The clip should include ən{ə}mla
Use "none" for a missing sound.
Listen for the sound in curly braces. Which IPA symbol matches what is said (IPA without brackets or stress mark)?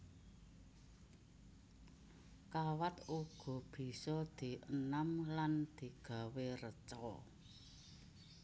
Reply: a